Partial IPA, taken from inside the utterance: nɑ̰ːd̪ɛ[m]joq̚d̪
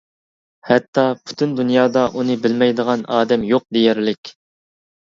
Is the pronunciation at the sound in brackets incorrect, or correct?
correct